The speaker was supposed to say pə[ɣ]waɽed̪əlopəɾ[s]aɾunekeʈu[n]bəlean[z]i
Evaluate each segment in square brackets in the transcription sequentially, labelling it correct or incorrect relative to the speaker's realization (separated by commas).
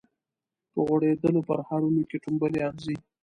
correct, incorrect, incorrect, correct